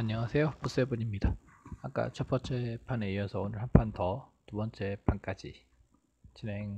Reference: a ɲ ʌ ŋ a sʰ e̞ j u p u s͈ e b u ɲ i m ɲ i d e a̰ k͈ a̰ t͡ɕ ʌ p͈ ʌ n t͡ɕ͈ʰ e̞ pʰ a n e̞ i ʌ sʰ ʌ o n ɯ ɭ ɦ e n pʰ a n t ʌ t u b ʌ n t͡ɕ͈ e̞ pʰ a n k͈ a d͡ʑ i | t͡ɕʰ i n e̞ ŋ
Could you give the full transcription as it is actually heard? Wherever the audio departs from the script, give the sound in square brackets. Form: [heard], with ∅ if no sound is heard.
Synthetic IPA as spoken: a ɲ ʌ ŋ a sʰ e̞ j [o] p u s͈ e b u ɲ i m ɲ i d [a] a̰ k͈ a̰ [t͡ɕʰ] ʌ p͈ ʌ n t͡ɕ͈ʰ e̞ pʰ a n e̞ i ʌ sʰ ʌ o n ɯ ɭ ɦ [a] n pʰ a n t ʌ t u b ʌ n t͡ɕ͈ e̞ pʰ a n k͈ a d͡ʑ i | [t͡ɕ] i n e̞ ŋ